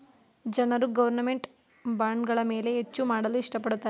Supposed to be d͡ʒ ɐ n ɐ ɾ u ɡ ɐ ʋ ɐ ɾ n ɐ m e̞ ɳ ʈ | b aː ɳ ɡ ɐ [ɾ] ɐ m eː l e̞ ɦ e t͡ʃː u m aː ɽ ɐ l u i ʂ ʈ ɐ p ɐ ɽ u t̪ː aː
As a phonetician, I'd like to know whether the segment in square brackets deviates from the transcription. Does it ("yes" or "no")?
yes